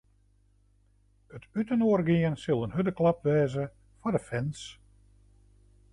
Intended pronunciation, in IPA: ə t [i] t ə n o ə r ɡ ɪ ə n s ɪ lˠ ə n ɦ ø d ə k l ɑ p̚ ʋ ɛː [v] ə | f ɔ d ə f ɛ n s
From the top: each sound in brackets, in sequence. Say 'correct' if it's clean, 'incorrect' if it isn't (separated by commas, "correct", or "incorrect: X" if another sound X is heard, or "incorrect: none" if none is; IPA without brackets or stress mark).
incorrect: y, incorrect: z